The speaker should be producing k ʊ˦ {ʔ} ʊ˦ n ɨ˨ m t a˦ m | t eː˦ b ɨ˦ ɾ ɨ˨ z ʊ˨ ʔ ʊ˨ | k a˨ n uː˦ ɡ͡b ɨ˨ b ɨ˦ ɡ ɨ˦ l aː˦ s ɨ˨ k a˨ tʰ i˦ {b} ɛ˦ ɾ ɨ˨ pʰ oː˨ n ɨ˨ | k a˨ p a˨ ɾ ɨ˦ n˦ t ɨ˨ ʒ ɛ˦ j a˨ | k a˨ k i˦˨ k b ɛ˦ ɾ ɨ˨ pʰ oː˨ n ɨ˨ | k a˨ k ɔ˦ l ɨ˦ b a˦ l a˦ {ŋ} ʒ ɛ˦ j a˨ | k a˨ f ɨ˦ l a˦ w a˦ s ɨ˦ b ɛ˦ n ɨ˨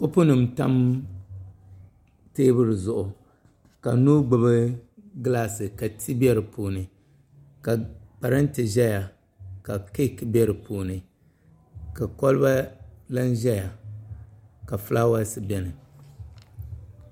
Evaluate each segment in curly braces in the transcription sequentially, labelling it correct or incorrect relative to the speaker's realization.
incorrect: p, correct, incorrect: n

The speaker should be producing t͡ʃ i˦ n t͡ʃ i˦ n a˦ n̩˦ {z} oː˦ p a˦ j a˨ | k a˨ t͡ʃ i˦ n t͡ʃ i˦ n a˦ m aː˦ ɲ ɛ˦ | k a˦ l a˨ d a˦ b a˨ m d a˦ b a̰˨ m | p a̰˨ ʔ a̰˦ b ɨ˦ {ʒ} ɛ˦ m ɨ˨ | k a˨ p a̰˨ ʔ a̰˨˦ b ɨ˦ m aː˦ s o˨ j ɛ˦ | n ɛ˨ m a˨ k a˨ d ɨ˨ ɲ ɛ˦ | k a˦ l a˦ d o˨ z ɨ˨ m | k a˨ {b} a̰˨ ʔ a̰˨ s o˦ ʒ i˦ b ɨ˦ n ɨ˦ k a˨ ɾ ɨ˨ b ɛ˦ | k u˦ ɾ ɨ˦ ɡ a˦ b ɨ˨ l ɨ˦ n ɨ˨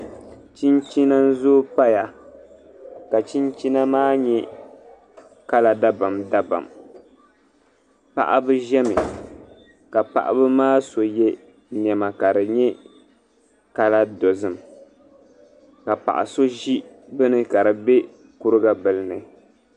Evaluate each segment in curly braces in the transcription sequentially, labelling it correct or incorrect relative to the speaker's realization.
correct, correct, incorrect: p

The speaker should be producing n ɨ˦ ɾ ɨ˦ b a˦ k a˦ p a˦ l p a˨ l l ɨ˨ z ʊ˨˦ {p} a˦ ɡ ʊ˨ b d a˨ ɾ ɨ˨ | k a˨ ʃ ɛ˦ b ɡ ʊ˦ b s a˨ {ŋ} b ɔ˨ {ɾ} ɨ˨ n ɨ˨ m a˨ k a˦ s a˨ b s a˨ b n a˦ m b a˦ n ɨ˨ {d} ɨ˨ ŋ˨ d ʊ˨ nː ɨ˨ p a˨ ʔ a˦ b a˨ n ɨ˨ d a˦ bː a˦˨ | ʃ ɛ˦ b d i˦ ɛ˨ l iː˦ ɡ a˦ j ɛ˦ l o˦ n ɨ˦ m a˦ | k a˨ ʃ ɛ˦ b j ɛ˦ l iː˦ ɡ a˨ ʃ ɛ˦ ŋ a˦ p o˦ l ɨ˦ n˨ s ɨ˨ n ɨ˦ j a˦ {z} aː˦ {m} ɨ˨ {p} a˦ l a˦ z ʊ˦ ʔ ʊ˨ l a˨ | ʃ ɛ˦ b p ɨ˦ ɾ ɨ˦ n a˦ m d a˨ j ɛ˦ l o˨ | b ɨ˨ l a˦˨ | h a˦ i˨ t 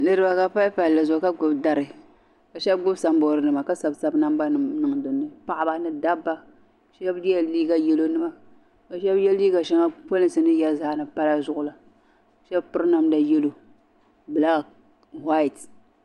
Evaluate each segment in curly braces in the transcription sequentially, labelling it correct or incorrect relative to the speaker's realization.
incorrect: k, incorrect: m, correct, incorrect: n, correct, incorrect: n, correct

